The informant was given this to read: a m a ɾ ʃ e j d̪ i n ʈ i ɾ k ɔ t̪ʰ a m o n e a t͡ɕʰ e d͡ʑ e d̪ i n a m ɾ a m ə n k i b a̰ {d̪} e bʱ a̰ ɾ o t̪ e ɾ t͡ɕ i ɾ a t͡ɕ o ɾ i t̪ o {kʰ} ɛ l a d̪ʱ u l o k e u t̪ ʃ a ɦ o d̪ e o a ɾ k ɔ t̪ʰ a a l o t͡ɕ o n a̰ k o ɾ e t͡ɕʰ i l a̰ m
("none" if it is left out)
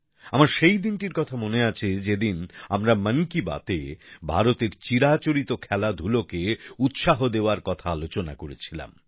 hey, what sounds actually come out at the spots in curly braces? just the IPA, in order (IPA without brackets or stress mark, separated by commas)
t̪, kʰ